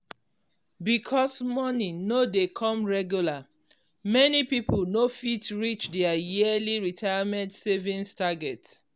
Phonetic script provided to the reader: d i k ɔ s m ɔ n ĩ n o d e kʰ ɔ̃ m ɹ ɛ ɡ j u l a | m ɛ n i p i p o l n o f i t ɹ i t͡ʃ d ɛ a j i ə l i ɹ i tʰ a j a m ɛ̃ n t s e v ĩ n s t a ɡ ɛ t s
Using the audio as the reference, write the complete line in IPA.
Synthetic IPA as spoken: b i kʰ ɔ s m ɔ n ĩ n o d e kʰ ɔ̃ m ɹ ɛ ɡ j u l a | m ɛ n i p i p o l n o f i t ɹ i t͡ʃ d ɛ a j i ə l i ɹ i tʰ a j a m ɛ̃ n t s e v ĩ n s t a ɡ ɛ t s